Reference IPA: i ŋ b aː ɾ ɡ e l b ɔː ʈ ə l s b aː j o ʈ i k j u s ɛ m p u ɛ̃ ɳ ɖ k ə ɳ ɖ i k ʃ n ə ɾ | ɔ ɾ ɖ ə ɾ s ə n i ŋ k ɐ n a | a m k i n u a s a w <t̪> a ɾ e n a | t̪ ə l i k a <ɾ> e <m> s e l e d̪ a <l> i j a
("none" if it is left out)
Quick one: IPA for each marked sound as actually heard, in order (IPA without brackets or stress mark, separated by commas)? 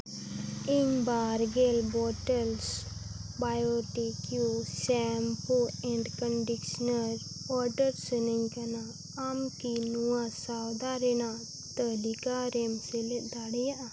d̪, ɾ, m, ɽ